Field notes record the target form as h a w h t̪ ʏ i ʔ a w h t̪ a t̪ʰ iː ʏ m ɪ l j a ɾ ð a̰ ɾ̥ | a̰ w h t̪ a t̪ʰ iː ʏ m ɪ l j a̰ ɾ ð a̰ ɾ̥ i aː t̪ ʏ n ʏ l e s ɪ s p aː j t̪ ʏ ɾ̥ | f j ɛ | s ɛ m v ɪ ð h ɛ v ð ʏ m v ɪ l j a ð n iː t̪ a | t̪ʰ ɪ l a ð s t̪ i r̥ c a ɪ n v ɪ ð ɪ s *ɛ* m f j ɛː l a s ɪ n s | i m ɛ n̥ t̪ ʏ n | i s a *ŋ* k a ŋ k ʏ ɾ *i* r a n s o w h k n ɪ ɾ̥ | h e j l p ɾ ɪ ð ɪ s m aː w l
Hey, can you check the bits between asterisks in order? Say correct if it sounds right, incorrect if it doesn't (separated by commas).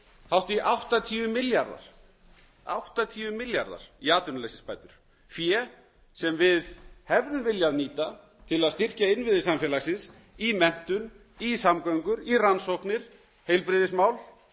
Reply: incorrect, incorrect, correct